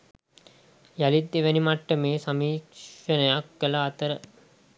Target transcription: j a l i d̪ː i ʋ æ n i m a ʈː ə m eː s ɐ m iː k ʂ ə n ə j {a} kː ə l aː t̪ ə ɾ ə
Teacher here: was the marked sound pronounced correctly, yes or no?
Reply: yes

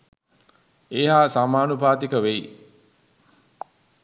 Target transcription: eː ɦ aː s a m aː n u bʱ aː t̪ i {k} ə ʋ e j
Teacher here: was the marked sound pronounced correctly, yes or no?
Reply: yes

